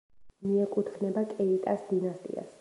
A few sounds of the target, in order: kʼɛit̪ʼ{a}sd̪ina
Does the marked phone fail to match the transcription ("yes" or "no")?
no